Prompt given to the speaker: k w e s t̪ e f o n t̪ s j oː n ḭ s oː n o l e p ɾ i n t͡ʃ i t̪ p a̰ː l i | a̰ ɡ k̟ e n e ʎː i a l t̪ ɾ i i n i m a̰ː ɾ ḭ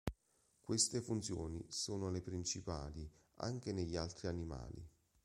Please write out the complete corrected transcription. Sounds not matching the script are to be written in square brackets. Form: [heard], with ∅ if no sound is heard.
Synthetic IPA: k w e s t̪ e f [u] n t̪ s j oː n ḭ s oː n o l e p ɾ i n t͡ʃ i [∅] p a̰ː l i | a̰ [ŋ] k̟ e n e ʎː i a l t̪ ɾ i [a] n i m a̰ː [l] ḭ